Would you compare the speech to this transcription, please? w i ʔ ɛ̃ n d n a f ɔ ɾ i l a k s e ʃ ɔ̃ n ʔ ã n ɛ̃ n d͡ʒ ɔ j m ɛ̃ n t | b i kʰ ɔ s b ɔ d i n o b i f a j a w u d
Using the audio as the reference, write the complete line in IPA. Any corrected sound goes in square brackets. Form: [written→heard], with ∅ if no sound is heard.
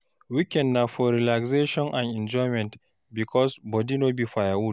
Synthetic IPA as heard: w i [ʔ→k] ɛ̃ n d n a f ɔ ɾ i l a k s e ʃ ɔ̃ n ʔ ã n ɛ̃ n d͡ʒ ɔ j m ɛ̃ n t | b i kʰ ɔ s b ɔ d i n o b i f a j a w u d